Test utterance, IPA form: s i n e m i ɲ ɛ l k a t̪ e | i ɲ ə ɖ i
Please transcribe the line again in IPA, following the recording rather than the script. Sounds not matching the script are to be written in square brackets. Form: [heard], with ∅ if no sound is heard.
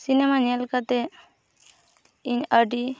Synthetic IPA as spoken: s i n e m [a] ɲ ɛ l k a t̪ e | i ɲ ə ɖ i